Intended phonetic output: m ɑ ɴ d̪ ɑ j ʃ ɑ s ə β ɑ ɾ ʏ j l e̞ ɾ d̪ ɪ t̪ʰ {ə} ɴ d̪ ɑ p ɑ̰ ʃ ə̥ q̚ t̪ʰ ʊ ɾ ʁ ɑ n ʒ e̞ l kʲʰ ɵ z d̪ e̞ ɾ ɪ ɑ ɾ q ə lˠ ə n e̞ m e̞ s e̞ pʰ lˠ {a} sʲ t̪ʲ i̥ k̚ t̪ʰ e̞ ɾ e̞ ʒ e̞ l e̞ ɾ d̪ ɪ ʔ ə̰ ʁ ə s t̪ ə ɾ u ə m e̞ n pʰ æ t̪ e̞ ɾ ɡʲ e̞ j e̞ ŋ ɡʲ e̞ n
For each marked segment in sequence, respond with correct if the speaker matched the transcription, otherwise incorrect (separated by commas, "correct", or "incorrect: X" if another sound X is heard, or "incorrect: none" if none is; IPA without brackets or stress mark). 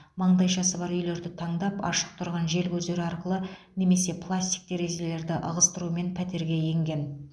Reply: incorrect: ɑ, correct